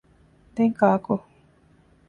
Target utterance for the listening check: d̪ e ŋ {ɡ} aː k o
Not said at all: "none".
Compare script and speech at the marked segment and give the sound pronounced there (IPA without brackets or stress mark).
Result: k